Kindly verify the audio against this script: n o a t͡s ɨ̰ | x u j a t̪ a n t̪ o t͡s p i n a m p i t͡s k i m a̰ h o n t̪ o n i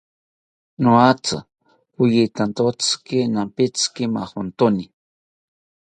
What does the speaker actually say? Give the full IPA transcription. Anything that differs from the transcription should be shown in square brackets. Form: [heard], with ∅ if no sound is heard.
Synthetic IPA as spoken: n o a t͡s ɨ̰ | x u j [i] t̪ a n t̪ o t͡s [k] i n a m p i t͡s k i m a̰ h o n t̪ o n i